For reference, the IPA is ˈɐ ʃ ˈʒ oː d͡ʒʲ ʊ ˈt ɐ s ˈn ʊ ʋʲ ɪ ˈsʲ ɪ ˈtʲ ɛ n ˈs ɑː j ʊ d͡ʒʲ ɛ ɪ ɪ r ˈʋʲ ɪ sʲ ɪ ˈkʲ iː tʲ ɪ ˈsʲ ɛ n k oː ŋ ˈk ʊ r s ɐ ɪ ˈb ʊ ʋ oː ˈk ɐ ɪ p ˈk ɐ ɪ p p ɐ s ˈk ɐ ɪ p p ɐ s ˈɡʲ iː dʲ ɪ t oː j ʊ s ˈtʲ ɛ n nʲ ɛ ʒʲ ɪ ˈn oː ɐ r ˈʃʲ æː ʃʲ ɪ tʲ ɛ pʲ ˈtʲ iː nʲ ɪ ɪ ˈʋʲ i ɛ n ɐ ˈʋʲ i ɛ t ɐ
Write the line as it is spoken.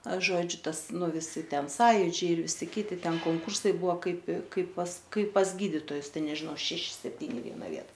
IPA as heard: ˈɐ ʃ ˈʒ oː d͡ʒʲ ʊ ˈt ɐ s ˈn ʊ ʋʲ ɪ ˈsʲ ɪ ˈtʲ ɛ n ˈs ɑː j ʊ d͡ʒʲ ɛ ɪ ɪ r ˈʋʲ ɪ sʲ ɪ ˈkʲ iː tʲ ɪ ˈtʲ ɛ n k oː ŋ ˈk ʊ r s ɐ ɪ ˈb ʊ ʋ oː ˈk ɐ ɪ p ˈk ɐ ɪ p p ɐ s ˈk ɐ ɪ p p ɐ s ˈɡʲ iː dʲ ɪ t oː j ʊ s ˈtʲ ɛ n nʲ ɛ ʒʲ ɪ ˈn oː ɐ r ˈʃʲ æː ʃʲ ɪ sʲ ɛ pʲ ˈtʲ iː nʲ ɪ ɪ ˈʋʲ i ɛ n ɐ ˈʋʲ i ɛ t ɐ

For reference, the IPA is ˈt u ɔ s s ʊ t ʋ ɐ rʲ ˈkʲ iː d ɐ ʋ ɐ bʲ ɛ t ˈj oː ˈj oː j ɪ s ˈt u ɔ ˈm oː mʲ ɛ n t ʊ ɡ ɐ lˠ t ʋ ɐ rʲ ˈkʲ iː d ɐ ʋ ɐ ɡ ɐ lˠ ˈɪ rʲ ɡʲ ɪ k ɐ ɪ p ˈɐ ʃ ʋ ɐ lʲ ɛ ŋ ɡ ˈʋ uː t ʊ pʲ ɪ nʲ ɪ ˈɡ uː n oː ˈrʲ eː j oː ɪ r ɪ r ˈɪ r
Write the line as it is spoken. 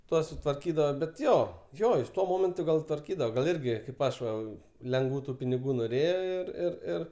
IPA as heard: ˈt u ɔ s s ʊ t ʋ ɐ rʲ ˈkʲ iː d ɐ ʋ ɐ bʲ ɛ t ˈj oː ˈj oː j ɪ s ˈt u ɔ ˈm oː mʲ ɛ n t ʊ ɡ ɐ lˠ t ʋ ɐ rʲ ˈkʲ iː d ɐ ʋ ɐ ɡ ɐ lˠ ˈɪ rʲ ɡʲ ɪ k ɐ ɪ p ˈɐ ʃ ʋ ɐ lʲ ɛ ŋ ɡ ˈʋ uː t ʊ pʲ ɪ nʲ ɪ ˈɡ uː n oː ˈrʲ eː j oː ɪ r ɪ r ˈɪ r

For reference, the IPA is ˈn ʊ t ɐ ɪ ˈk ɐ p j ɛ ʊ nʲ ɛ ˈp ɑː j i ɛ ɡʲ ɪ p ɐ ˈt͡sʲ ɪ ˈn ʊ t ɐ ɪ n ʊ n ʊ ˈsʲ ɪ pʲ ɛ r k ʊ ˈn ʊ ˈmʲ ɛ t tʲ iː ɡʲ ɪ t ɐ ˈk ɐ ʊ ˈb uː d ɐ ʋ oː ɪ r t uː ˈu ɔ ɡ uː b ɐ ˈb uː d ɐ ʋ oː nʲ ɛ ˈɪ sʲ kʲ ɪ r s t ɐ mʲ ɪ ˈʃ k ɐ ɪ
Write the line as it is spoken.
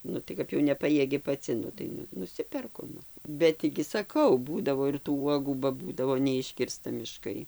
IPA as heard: ˈn ʊ t ɐ ɪ ˈk ɐ p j ɛ ʊ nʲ ɛ ˈp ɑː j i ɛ ɡʲ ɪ p ɐ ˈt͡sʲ ɪ ˈn ʊ t ɐ ɪ n ʊ n ʊ ˈsʲ ɪ pʲ ɛ r k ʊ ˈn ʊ ˈbʲ ɛ t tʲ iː ɡʲ ɪ s ɐ ˈk ɐ ʊ ˈb uː d ɐ ʋ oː ɪ r t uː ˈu ɔ ɡ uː b ɐ ˈb uː d ɐ ʋ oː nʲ ɛ ˈɪ ʃʲ kʲ ɪ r s t ɐ mʲ ɪ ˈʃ k ɐ ɪ

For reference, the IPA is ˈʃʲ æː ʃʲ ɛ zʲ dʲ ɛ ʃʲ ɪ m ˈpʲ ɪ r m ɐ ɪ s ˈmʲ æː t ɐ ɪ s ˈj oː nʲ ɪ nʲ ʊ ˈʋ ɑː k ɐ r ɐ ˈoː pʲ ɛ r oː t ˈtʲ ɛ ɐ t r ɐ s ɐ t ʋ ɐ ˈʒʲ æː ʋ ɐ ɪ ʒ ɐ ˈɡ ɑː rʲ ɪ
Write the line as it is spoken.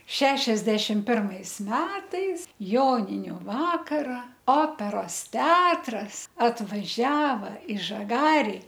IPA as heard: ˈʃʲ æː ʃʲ ɛ zʲ dʲ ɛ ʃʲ ɪ m ˈpʲ ɪ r m ɐ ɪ s ˈmʲ æː t ɐ ɪ s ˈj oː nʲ ɪ nʲ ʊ ˈʋ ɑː k ɐ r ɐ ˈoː pʲ ɛ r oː s ˈtʲ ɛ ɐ t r ɐ s ɐ t ʋ ɐ ˈʒʲ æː ʋ ɐ ɪ ʒ ɐ ˈɡ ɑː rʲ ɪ

